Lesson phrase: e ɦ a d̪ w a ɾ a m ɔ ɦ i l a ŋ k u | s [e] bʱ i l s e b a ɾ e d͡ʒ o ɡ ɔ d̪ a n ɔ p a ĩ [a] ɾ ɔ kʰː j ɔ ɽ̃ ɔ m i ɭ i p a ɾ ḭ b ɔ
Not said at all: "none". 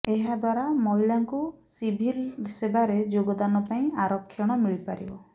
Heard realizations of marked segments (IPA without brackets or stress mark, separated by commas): i, a